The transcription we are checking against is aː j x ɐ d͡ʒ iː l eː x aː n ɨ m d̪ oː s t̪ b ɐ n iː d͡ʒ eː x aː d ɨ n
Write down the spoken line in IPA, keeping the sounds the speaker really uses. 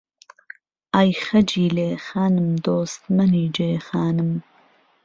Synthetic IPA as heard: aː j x ɐ d͡ʒ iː l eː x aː n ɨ m d̪ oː s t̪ m ɐ n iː d͡ʒ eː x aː n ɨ m